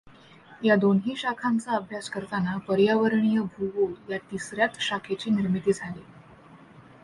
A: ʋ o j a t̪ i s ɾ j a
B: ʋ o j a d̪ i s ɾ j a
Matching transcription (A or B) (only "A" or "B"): A